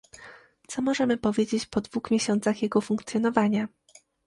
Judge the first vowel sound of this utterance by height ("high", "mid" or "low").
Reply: mid